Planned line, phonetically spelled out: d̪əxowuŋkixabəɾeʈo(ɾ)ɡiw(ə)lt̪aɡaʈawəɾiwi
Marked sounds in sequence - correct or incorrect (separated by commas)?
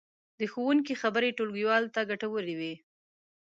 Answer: incorrect, incorrect